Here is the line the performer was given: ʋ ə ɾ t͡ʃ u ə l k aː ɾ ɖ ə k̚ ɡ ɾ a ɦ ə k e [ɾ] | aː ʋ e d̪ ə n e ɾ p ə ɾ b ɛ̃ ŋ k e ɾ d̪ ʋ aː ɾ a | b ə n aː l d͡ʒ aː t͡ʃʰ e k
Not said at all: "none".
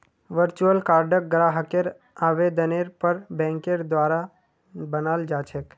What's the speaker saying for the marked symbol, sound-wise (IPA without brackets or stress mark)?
ɾ